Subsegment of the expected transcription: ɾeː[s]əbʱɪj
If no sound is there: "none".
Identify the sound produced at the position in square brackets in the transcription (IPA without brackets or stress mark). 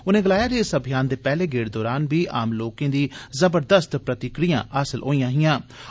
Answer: s